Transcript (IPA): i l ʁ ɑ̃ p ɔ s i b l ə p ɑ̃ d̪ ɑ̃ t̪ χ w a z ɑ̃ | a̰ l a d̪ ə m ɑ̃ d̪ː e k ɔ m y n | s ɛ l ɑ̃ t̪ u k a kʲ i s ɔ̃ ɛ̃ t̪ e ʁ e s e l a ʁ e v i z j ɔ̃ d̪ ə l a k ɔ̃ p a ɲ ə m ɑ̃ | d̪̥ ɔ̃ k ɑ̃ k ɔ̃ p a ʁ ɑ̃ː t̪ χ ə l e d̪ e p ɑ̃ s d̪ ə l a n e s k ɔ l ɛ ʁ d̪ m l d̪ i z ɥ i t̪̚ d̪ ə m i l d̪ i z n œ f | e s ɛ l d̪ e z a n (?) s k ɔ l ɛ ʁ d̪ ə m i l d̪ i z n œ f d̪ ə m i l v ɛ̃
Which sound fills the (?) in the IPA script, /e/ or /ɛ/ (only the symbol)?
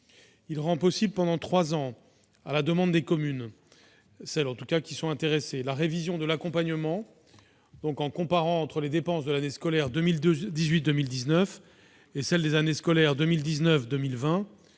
e